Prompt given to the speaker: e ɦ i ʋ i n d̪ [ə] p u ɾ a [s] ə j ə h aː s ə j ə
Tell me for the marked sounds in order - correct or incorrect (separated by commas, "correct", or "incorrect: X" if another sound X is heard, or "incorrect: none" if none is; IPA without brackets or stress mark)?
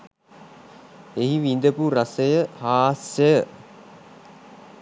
correct, correct